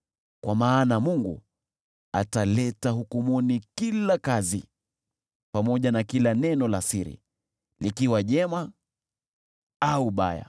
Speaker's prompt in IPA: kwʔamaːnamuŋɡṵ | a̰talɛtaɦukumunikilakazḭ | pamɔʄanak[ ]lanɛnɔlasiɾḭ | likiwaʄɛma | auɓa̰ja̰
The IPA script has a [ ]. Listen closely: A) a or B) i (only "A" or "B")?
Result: B